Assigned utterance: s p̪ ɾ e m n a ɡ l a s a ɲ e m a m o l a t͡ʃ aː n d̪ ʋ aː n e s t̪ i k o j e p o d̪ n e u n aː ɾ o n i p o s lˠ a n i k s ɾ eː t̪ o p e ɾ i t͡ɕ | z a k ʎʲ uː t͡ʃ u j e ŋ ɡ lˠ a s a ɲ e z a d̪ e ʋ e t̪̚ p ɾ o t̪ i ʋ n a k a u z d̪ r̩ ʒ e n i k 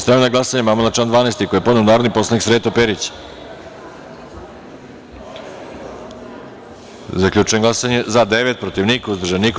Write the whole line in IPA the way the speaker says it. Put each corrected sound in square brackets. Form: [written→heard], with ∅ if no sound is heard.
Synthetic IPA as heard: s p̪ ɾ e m n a ɡ l a s a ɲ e m a m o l a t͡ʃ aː n d̪ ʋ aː n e s t̪ i k o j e p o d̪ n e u n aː ɾ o n i p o s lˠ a n i k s ɾ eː t̪ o p e ɾ i t͡ɕ | z a k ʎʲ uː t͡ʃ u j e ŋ ɡ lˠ a s a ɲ e z a d̪ e ʋ e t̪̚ p ɾ o t̪ i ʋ n [a→i] k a u z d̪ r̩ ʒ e n i k